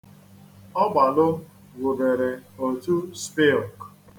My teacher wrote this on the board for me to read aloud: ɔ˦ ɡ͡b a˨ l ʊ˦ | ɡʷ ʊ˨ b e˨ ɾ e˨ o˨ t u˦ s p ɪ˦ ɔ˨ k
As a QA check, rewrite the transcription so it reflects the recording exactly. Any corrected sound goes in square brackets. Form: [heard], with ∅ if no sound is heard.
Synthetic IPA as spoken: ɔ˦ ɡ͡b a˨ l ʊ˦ | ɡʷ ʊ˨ b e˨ ɾ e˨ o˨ t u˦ s p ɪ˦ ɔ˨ k